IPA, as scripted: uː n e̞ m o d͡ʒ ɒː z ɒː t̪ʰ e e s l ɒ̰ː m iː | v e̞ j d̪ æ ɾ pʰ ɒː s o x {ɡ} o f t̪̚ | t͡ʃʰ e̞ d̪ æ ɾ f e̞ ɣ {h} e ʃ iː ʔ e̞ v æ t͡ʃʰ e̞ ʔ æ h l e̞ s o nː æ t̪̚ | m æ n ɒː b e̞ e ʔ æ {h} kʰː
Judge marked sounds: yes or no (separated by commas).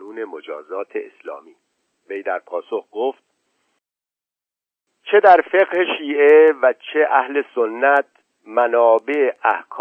yes, yes, yes